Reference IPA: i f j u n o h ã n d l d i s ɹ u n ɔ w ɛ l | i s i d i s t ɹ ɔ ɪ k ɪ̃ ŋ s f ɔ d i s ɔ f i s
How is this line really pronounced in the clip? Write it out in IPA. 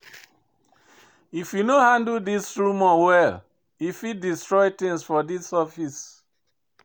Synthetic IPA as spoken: i f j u n o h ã n d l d i s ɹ u m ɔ w ɛ l | i f i d i s t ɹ ɔ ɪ t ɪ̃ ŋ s f ɔ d i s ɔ f i s